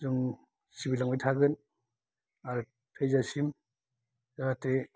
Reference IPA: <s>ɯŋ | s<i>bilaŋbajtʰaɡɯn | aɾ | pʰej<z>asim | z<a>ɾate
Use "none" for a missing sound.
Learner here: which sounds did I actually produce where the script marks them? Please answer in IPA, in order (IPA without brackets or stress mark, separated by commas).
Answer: z, i, z, a